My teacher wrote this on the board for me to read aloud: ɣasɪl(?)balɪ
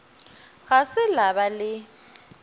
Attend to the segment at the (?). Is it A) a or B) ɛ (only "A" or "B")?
A